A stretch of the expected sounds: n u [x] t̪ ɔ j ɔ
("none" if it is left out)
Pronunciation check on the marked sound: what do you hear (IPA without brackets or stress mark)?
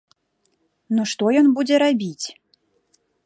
ʂ